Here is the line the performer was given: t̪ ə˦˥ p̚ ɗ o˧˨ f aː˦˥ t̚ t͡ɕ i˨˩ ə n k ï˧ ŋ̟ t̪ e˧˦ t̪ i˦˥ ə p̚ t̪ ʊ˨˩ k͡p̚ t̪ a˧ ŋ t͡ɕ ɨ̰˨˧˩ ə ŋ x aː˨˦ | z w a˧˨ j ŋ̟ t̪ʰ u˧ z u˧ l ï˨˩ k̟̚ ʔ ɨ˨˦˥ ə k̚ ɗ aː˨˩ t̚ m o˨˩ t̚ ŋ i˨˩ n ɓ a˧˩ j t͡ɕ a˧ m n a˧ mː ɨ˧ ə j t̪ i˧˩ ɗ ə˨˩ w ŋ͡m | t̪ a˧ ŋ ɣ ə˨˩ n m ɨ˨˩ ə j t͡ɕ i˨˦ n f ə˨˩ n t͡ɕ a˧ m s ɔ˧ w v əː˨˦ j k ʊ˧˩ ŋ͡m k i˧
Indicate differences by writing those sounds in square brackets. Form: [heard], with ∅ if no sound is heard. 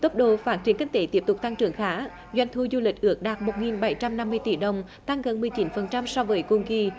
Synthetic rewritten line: t̪ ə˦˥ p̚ ɗ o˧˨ f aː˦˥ t̚ t͡ɕ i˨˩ ə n k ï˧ ŋ̟ t̪ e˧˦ t̪ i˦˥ ə p̚ t̪ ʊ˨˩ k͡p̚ t̪ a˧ ŋ t͡ɕ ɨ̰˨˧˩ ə ŋ x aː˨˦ | z w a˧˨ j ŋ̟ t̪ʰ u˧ z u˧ l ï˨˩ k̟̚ ʔ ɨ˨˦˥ ə k̚ ɗ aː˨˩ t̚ m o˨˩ t̚ ŋ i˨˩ n ɓ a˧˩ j t͡ɕ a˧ m n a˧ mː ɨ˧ ə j t̪ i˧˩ ɗ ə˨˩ w ŋ͡m | t̪ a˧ ŋ ɣ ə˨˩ n m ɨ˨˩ ə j t͡ɕ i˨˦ n f ə˨˩ n t͡ɕ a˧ m s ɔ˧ w v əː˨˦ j k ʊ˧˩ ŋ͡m k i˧